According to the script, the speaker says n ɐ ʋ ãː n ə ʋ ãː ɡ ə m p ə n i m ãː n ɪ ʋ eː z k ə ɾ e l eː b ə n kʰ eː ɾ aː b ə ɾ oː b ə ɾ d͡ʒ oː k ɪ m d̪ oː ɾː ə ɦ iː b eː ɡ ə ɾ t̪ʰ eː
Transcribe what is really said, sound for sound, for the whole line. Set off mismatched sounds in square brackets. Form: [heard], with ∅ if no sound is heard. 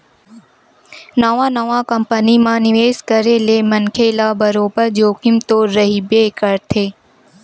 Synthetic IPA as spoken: n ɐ ʋ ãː n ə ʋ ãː [k] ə m p ə n i m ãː n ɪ ʋ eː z k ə ɾ e l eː [m] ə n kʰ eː [l] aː b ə ɾ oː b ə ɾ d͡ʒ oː k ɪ m [t̪] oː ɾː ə ɦ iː b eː [k] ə ɾ t̪ʰ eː